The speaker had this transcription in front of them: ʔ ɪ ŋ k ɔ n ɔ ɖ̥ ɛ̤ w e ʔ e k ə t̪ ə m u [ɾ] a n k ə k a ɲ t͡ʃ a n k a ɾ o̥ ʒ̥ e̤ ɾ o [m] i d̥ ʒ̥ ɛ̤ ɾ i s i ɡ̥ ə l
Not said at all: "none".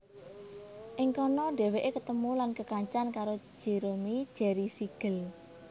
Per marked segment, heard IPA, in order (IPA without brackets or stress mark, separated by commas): l, m